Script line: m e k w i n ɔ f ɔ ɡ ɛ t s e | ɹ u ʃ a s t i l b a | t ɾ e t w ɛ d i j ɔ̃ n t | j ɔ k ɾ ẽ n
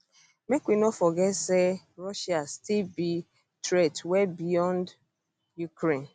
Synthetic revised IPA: m e k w i n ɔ f ɔ ɡ ɛ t s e | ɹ ɔ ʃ a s t i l b i | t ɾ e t w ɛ b i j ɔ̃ n d | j u k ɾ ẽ n